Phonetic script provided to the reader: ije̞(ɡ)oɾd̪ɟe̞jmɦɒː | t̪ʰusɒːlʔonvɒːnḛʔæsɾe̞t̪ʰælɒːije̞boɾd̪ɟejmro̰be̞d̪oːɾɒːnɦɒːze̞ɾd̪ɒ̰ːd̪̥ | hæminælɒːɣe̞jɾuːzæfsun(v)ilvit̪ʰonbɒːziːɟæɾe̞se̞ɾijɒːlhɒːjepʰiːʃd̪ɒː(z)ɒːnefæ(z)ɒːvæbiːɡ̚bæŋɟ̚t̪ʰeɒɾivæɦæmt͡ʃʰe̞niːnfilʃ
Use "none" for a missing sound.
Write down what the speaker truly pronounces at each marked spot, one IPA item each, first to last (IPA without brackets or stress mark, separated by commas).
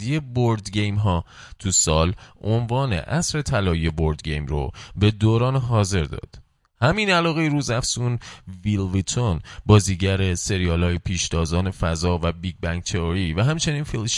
b, v, z, z